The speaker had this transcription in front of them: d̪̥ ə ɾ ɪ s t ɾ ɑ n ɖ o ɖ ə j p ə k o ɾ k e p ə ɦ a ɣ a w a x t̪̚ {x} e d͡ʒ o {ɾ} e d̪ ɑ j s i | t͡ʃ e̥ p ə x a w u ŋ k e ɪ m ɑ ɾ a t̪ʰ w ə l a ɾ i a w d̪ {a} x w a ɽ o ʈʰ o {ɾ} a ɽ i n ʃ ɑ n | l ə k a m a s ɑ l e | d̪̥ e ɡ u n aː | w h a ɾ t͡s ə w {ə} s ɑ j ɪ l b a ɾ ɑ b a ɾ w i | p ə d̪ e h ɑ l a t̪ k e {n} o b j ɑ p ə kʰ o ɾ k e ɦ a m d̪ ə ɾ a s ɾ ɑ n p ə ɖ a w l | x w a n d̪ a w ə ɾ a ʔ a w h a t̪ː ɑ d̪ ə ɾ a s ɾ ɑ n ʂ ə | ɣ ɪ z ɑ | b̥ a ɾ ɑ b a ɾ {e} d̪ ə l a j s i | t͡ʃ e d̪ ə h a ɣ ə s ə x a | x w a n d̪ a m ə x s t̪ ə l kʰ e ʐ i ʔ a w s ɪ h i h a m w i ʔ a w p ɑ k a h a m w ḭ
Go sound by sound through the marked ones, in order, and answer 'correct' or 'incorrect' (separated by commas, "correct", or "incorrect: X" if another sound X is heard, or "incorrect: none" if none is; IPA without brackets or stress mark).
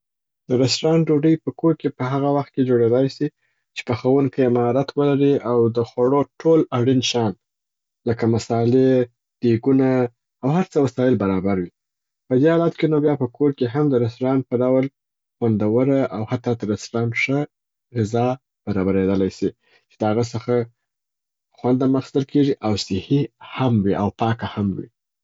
incorrect: k, incorrect: ɽ, incorrect: ə, incorrect: l, incorrect: a, correct, correct